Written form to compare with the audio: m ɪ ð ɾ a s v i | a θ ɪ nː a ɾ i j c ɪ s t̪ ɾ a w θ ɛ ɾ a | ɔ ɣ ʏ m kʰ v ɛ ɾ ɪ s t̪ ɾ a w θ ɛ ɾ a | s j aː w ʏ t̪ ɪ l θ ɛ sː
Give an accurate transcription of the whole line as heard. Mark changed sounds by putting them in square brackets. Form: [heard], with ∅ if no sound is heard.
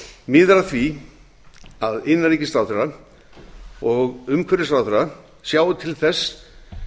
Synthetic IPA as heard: m ɪ ð ɾ a [θ] v i | a [ð] ɪ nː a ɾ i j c ɪ s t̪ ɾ a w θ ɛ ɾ a | ɔ ɣ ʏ m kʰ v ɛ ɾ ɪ s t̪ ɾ a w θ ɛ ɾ a | s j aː w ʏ [t̪ʰ] ɪ l θ ɛ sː